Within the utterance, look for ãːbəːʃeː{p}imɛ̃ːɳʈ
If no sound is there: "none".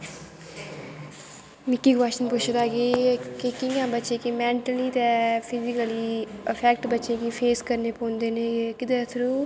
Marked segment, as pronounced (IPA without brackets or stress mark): k